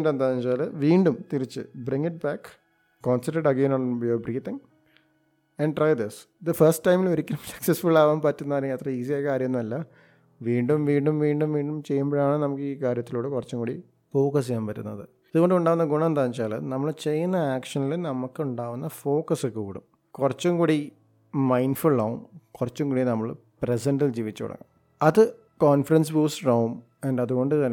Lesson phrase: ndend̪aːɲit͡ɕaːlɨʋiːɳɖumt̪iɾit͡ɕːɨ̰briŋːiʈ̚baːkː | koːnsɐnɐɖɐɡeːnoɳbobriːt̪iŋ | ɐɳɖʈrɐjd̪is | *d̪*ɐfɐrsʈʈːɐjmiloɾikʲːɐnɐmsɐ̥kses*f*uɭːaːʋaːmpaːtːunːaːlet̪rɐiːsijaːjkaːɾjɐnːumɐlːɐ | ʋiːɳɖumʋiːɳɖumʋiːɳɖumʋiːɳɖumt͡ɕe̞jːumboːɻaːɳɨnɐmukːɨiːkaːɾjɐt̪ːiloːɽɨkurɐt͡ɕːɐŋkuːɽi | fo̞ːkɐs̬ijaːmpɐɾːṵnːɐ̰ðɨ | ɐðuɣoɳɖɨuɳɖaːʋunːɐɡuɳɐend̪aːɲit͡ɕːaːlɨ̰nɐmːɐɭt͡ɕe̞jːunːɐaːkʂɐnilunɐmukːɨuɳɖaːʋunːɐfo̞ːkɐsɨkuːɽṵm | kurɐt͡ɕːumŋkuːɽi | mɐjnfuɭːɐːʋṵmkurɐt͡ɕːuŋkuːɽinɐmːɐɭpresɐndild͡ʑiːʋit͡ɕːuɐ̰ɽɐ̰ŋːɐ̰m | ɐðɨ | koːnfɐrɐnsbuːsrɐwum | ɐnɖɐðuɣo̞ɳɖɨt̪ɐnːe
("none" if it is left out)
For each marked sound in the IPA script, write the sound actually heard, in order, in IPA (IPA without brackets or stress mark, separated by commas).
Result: d̪, f